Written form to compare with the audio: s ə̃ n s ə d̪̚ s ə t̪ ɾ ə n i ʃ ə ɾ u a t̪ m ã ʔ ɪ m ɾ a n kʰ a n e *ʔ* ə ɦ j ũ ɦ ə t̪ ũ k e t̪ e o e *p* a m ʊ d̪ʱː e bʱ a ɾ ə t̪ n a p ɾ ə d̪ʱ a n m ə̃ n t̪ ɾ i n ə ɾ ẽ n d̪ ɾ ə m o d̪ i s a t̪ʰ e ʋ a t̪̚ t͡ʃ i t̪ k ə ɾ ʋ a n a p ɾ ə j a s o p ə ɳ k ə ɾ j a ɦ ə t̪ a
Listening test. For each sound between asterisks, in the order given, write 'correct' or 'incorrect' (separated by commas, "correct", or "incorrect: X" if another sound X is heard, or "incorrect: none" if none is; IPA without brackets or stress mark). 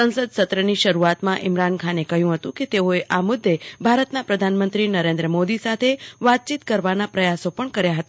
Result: incorrect: k, incorrect: ʔ